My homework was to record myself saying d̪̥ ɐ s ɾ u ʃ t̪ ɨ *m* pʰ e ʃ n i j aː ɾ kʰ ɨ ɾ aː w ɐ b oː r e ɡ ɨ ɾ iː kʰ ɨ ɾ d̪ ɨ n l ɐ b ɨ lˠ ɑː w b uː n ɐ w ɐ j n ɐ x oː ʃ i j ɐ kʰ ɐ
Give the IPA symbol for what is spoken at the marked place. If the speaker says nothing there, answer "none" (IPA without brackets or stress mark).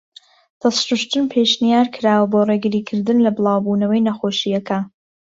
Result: n